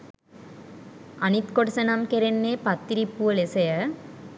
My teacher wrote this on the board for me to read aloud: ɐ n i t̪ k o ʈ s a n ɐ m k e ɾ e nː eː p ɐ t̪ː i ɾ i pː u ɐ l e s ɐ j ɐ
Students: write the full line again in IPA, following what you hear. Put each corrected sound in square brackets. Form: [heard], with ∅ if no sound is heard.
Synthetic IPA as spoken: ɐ n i t̪ k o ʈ s [ɐ] n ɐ m k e ɾ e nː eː p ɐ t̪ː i ɾ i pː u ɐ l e s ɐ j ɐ